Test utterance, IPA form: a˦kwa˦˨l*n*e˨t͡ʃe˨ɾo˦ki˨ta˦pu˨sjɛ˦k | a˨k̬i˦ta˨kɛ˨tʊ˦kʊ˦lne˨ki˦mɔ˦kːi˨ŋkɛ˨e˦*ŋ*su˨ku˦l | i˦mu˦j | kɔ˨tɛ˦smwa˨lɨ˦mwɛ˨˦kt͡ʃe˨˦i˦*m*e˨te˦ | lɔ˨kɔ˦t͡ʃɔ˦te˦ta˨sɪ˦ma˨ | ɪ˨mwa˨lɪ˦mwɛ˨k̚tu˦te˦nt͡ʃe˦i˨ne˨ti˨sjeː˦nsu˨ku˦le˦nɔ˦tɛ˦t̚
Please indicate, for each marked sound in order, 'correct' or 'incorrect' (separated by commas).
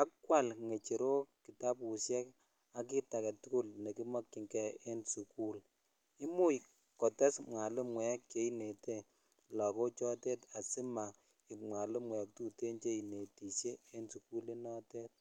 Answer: incorrect, incorrect, incorrect